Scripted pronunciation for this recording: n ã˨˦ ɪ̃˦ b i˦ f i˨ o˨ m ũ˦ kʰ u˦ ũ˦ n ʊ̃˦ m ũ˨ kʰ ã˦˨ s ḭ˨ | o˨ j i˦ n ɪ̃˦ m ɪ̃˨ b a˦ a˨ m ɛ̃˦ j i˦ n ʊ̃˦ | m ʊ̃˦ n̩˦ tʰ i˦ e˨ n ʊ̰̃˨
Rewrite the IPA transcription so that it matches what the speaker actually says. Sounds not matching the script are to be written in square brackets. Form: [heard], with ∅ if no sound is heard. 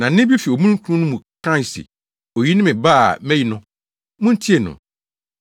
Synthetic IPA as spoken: n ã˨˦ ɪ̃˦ b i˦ f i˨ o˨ m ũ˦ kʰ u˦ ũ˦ n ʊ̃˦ m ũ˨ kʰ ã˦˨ s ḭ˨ | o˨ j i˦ n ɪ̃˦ m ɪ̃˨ b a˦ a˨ m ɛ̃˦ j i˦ n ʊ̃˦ | m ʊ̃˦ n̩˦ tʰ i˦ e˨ n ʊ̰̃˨